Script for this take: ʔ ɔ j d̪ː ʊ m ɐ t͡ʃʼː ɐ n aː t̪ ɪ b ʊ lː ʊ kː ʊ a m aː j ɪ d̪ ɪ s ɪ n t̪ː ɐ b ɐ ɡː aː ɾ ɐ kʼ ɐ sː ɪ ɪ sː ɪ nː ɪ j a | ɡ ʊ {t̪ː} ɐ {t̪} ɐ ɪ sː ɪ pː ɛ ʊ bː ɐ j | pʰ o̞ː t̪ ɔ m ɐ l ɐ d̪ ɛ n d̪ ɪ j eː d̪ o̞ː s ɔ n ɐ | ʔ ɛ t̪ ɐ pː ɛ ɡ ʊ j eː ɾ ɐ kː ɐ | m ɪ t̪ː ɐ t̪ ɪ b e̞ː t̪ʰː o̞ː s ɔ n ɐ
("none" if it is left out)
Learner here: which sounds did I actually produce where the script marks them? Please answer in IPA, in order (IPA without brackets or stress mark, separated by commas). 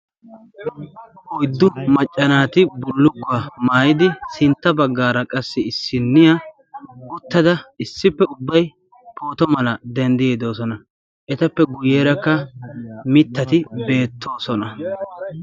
t̪ː, d̪